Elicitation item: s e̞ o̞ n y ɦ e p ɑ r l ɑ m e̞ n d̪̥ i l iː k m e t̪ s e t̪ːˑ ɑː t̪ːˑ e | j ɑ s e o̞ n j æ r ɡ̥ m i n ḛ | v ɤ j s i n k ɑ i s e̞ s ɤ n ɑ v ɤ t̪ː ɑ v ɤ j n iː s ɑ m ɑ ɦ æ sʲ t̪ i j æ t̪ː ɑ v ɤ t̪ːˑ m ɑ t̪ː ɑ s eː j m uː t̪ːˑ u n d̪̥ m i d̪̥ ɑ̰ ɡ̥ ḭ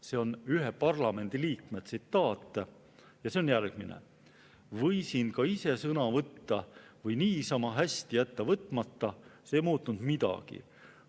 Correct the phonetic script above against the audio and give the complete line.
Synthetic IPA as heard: s e̞ o̞ n y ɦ e p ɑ r l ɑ m e̞ n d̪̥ i l iː k m e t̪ s i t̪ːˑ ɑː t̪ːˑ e | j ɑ s e o̞ n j æ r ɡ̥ m i n ḛ | v ɤ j s i n k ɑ i s e̞ s ɤ n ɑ v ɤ t̪ː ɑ v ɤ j n iː s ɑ m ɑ ɦ æ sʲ t̪ i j æ t̪ː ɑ v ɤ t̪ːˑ m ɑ t̪ː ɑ s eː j m uː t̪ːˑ u n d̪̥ m i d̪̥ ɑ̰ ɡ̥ ḭ